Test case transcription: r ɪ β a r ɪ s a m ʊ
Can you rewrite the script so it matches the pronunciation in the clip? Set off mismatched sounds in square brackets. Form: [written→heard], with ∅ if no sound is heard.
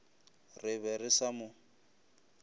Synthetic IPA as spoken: r ɪ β [a→ɛ] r ɪ s a m ʊ